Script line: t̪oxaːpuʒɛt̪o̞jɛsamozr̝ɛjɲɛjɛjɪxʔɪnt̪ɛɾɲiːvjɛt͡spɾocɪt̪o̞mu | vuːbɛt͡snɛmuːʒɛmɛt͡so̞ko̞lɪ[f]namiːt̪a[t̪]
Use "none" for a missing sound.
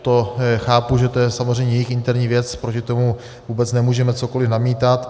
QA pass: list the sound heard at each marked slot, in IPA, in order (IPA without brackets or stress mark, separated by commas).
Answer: f, t̪